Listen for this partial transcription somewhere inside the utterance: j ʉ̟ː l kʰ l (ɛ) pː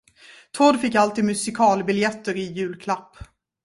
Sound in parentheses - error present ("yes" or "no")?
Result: yes